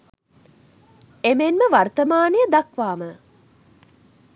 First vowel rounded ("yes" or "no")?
no